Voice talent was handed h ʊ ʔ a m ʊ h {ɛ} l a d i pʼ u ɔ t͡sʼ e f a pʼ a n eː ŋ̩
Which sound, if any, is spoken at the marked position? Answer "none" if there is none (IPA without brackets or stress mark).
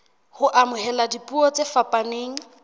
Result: ɛ